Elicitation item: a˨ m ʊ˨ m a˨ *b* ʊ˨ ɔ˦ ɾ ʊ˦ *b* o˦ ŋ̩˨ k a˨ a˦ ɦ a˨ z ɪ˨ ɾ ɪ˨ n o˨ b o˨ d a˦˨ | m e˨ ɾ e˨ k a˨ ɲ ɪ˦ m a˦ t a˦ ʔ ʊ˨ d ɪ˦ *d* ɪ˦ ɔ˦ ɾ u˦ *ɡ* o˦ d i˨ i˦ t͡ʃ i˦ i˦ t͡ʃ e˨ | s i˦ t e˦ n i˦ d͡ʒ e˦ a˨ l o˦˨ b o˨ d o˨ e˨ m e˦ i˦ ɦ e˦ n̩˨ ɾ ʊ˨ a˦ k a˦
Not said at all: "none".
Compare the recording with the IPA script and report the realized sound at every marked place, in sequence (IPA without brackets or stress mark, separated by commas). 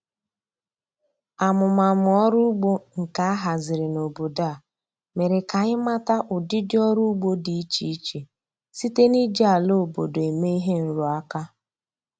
m, ɡ͡b, d, ɡ͡b